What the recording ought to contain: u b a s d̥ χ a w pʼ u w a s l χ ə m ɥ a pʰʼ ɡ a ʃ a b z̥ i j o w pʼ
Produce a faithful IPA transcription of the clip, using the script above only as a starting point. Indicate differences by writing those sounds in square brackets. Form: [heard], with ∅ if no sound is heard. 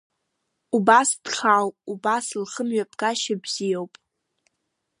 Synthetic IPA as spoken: u b a s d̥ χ a w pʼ u [b] a s l χ ə m ɥ a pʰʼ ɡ a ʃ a b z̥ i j o w pʼ